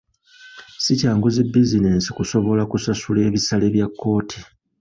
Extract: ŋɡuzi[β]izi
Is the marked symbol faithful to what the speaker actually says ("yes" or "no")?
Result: no